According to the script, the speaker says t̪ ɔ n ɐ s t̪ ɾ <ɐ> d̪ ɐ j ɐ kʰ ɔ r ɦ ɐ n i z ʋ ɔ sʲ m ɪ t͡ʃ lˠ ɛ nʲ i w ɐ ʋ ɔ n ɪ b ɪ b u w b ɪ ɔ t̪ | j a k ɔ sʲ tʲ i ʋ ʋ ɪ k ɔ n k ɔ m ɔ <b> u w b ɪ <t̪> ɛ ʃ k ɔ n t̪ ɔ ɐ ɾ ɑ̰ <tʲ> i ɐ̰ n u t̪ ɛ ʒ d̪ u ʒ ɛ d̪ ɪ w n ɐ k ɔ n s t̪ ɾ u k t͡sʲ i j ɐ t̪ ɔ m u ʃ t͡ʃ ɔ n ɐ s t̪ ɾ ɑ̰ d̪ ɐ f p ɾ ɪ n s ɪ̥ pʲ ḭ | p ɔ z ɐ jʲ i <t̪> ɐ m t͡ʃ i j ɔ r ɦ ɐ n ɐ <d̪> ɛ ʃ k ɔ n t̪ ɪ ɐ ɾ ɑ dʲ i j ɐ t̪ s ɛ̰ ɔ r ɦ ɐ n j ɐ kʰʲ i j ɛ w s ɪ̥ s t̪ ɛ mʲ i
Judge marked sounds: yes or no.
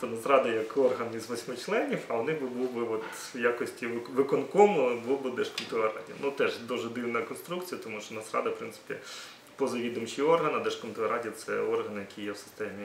no, yes, no, no, no, yes

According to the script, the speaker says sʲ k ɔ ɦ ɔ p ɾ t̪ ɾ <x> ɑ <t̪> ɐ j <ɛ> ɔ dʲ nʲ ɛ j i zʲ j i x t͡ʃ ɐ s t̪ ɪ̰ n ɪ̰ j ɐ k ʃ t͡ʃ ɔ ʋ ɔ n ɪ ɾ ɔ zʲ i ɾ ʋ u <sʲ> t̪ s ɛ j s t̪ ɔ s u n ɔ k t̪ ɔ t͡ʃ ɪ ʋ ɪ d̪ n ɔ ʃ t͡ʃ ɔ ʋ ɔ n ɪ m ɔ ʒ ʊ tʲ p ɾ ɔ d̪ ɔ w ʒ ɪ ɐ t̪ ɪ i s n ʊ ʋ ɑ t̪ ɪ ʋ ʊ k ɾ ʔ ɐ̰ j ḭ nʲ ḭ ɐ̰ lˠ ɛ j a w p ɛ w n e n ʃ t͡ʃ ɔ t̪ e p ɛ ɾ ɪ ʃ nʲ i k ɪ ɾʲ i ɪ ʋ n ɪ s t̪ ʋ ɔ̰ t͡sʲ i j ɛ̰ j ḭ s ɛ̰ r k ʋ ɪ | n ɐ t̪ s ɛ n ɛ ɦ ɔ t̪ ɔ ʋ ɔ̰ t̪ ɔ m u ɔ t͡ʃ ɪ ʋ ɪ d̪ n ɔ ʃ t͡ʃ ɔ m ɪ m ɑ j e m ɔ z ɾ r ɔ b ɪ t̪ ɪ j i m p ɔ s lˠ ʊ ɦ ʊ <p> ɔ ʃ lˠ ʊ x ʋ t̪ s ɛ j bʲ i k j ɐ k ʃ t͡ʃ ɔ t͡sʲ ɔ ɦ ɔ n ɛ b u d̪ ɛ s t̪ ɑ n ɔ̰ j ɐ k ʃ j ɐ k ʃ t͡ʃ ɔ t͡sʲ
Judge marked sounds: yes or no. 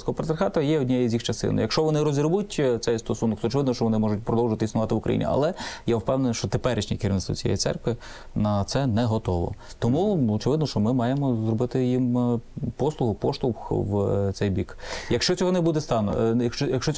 yes, yes, yes, no, yes

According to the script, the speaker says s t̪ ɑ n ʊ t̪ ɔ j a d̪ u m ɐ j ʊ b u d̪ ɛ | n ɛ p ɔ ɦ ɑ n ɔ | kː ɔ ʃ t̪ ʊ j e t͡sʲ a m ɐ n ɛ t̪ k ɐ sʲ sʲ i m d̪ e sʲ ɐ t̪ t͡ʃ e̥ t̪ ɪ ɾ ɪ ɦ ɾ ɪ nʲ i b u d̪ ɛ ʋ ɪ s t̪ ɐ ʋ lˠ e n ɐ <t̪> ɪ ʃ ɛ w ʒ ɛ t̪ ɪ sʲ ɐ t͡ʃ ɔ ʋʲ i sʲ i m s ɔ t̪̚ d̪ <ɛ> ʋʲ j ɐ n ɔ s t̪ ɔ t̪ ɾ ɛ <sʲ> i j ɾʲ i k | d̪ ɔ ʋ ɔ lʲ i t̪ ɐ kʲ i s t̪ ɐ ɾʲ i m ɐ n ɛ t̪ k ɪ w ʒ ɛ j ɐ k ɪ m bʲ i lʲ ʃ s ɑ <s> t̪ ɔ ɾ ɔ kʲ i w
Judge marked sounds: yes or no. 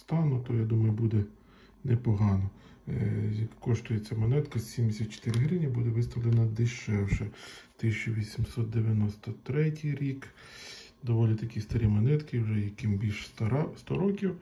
no, no, no, yes

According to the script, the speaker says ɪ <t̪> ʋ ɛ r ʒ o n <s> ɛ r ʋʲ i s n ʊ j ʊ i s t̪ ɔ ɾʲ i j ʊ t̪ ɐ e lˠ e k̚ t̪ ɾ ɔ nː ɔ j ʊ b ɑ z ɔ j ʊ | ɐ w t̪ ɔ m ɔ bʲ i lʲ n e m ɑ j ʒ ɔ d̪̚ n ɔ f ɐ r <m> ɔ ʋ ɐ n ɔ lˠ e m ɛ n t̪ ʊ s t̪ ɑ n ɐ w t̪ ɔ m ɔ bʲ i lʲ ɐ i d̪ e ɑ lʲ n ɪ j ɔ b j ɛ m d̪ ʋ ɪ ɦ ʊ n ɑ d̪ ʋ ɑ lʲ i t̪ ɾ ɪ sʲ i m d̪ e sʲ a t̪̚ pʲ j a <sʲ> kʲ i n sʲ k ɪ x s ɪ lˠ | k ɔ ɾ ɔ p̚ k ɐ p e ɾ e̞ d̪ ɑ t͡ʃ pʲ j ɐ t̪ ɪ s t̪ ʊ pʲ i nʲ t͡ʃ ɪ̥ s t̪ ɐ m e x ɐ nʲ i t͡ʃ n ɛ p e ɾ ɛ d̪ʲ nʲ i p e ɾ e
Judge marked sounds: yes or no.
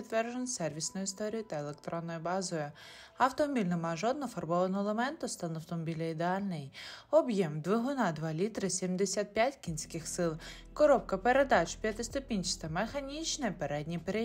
yes, yes, no, no

